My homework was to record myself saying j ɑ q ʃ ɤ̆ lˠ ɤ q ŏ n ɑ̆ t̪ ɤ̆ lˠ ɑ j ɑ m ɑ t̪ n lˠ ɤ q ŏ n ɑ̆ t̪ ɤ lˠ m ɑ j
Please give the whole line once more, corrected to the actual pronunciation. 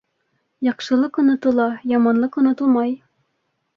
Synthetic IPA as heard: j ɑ q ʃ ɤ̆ lˠ ɤ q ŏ n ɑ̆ t̪ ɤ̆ lˠ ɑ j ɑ m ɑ n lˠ ɤ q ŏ n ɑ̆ t̪ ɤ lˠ m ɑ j